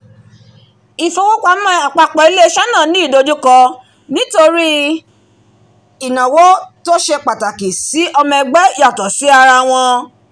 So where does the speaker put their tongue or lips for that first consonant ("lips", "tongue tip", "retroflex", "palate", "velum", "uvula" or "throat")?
lips